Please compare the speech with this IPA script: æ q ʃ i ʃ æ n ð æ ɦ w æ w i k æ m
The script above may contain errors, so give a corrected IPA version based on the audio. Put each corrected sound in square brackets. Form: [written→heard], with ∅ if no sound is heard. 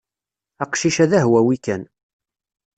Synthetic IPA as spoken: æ q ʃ i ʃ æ [n→∅] ð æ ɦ w æ w i k æ [m→n]